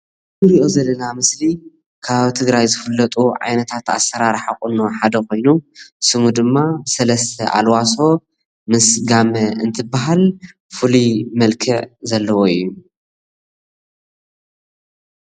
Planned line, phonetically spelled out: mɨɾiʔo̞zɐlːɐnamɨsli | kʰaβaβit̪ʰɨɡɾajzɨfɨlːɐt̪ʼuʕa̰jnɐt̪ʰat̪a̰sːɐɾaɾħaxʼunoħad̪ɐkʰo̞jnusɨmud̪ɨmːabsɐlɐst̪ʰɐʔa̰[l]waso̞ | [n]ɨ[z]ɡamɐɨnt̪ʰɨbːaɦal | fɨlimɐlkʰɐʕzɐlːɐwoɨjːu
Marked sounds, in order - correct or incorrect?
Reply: correct, incorrect, incorrect

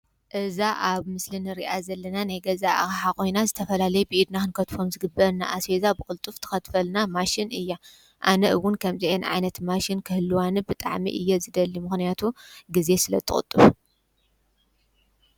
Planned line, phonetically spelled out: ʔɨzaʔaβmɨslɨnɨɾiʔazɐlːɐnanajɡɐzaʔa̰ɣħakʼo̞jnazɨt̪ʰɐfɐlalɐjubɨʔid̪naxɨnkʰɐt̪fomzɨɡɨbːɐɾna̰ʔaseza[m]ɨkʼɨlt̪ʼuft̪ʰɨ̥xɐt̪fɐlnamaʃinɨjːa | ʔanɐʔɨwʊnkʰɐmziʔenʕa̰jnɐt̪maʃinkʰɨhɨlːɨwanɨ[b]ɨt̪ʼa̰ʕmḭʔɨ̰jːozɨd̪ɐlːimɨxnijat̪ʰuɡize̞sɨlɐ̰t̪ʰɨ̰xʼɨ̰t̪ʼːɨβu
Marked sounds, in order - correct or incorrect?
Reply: incorrect, correct

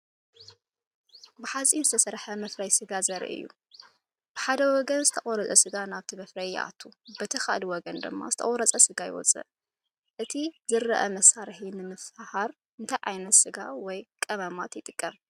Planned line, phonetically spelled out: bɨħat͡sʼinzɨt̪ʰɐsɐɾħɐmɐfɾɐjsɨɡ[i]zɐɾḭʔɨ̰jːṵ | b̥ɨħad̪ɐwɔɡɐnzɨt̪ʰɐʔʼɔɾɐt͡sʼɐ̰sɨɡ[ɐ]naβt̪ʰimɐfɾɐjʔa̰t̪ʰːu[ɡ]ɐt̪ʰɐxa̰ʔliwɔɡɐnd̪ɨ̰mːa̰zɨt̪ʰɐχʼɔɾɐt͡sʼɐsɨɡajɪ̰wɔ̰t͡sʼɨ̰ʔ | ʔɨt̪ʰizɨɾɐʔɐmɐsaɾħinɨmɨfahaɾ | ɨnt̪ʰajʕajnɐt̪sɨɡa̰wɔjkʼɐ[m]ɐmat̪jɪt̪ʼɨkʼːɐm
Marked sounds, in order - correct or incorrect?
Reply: incorrect, incorrect, incorrect, correct

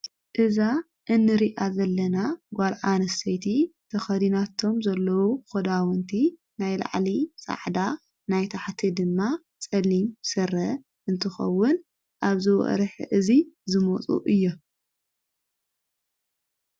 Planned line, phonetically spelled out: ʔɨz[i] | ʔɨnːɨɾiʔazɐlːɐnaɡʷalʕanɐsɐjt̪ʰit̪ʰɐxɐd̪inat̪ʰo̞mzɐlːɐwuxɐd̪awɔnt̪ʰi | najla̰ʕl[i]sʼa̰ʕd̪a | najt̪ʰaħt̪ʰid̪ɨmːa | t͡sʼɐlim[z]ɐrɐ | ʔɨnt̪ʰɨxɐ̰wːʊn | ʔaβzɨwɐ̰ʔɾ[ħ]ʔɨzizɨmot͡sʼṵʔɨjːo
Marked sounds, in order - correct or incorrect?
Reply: incorrect, correct, incorrect, correct

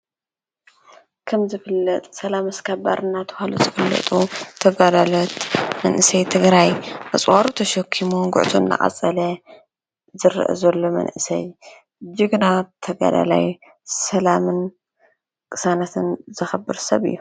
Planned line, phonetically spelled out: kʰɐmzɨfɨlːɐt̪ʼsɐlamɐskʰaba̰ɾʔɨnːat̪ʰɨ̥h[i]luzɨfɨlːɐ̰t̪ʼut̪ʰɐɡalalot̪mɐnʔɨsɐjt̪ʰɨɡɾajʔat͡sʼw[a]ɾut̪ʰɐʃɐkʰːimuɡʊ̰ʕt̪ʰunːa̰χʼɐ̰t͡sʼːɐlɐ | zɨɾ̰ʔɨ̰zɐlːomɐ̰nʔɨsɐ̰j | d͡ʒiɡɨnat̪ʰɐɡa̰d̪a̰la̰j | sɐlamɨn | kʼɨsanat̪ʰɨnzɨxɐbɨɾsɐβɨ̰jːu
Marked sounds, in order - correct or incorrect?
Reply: incorrect, correct

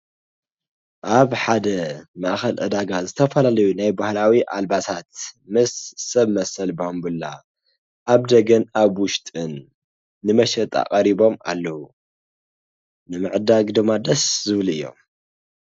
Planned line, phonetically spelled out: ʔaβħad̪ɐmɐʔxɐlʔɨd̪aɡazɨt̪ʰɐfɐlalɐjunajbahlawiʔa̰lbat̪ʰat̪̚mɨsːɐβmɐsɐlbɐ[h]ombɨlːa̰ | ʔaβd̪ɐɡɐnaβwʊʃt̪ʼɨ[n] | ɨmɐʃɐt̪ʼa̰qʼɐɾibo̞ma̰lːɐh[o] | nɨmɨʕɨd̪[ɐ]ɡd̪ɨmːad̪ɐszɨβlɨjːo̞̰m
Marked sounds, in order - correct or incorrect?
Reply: correct, incorrect, incorrect, incorrect

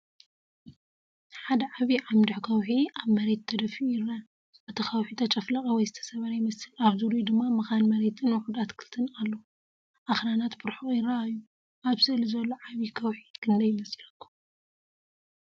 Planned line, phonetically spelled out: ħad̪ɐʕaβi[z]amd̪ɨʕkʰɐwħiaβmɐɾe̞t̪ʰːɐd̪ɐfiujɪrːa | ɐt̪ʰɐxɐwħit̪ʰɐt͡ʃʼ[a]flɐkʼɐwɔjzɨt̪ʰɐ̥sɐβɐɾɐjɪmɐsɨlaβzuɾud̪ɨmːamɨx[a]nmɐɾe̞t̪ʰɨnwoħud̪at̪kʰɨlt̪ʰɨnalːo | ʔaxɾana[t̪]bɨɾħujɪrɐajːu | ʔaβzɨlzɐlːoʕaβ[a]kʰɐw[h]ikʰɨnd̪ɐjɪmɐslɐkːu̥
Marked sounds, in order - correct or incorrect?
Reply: incorrect, incorrect, correct, correct, incorrect, incorrect

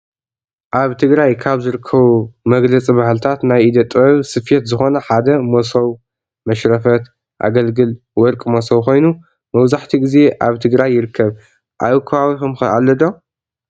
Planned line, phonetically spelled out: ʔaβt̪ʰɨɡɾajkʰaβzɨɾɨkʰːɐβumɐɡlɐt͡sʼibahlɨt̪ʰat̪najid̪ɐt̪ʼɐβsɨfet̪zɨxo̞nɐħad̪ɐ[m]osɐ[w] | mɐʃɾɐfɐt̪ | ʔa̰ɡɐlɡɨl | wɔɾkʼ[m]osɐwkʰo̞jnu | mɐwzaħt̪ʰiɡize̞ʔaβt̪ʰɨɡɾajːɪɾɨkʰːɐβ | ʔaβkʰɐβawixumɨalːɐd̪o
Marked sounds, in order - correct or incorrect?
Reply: correct, correct, correct

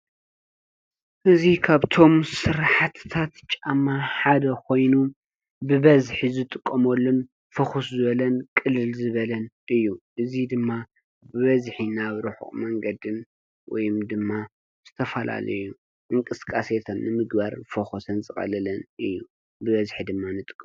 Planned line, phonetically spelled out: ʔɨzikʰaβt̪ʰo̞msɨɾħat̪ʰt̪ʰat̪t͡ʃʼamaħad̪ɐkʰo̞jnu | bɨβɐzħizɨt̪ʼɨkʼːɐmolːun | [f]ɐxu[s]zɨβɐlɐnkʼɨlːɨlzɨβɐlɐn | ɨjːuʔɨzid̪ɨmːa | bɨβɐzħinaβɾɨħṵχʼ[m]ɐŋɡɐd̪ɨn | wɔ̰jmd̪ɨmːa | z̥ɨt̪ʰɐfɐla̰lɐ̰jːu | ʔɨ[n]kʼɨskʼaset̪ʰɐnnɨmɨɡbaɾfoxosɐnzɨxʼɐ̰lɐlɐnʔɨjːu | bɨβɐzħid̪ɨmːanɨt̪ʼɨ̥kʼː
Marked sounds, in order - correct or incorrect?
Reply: correct, correct, correct, incorrect

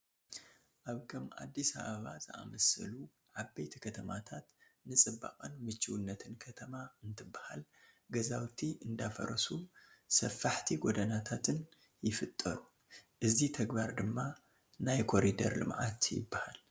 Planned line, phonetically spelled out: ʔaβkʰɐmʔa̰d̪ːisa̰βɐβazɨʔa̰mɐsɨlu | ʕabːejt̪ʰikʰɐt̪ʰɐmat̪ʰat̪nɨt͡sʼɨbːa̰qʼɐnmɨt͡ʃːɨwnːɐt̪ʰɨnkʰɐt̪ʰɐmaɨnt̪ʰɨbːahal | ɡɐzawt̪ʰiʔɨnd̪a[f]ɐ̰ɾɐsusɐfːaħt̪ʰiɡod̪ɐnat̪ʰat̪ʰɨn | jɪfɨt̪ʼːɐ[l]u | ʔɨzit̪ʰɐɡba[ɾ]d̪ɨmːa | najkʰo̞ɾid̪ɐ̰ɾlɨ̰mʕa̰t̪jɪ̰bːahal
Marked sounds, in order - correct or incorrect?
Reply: correct, incorrect, correct

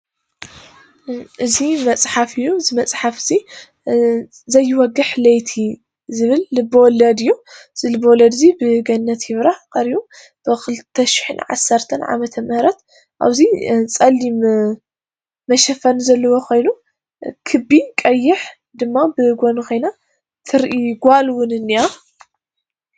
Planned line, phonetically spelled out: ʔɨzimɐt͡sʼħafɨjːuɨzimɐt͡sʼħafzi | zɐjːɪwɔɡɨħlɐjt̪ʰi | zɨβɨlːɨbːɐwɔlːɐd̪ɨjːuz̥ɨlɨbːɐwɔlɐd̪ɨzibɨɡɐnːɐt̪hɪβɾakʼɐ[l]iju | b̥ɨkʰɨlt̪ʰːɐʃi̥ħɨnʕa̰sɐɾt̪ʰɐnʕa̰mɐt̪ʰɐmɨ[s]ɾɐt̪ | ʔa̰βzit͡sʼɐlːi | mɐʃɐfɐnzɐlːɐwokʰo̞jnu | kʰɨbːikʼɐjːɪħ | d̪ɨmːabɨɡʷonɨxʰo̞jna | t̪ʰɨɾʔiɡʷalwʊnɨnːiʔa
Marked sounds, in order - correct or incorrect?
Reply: incorrect, incorrect

